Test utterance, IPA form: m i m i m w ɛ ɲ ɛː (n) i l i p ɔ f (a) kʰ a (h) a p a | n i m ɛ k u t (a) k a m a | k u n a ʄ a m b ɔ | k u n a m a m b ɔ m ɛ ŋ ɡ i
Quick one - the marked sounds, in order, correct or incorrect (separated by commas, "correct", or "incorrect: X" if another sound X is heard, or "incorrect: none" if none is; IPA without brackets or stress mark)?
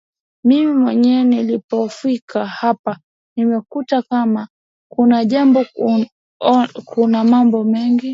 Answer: correct, incorrect: i, correct, correct